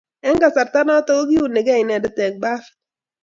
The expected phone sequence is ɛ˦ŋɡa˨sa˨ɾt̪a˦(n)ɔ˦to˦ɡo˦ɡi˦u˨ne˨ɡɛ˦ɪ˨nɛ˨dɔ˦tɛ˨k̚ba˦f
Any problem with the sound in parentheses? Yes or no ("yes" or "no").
no